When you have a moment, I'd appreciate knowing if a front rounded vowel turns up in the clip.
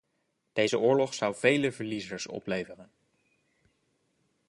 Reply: no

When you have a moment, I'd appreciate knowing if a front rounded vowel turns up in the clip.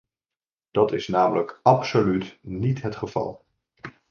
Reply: yes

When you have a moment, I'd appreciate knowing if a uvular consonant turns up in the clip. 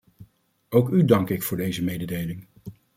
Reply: no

